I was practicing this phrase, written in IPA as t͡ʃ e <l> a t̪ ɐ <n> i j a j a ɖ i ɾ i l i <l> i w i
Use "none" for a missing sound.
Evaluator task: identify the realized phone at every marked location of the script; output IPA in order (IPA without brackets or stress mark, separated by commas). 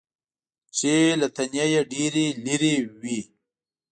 l, n, ɾ